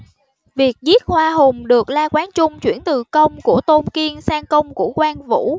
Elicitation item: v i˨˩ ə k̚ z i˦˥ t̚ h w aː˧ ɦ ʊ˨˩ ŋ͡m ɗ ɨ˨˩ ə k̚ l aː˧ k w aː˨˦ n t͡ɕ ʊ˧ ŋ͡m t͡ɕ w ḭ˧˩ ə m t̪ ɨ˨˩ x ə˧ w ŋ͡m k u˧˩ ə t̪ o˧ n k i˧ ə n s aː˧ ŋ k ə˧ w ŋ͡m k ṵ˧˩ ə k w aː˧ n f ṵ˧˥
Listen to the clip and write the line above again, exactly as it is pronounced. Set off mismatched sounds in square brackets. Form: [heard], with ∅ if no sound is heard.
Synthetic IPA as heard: v i˨˩ ə k̚ z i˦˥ t̚ h w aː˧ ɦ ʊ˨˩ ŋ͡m ɗ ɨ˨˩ ə k̚ l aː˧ k w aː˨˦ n t͡ɕ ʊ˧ ŋ͡m t͡ɕ w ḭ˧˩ ə [n] t̪ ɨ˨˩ [k] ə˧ w ŋ͡m k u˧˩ ə t̪ o˧ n k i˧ ə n s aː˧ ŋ k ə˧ w ŋ͡m k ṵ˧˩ ə k w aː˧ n [v] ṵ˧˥